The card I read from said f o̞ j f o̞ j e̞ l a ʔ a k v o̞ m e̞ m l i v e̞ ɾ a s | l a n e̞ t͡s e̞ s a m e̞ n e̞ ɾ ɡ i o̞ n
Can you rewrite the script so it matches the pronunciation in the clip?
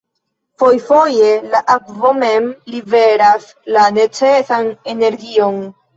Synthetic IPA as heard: f o̞ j f o̞ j e̞ l a ʔ a k v o̞ m e̞ m l i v e̞ ɾ a s | l a n e̞ t͡s e̞ s a n e̞ n e̞ ɾ ɡ i o̞ n